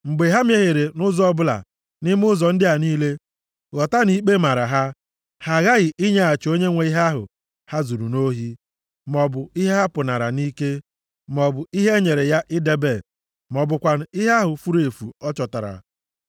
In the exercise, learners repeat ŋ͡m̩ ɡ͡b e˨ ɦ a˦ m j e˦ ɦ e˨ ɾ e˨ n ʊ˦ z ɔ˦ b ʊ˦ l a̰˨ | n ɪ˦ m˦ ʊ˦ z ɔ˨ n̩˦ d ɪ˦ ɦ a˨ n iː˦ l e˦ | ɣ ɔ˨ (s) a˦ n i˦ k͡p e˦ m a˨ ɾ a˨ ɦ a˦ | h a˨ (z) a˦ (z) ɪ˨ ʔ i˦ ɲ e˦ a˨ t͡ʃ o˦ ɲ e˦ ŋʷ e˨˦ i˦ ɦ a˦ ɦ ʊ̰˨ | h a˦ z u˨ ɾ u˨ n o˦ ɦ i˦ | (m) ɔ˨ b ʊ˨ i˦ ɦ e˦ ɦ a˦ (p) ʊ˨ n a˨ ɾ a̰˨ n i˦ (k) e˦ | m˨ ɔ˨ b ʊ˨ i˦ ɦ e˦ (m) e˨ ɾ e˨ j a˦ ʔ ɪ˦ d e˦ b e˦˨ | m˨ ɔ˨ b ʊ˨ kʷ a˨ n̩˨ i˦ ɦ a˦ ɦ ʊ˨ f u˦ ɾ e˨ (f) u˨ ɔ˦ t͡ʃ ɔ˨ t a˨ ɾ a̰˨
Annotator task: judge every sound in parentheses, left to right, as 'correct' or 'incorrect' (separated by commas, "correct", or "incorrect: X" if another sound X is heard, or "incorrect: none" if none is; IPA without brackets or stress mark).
incorrect: t, incorrect: ɣ, incorrect: ɣ, correct, correct, correct, incorrect: ɲ, correct